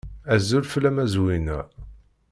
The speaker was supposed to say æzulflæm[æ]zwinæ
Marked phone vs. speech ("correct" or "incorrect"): correct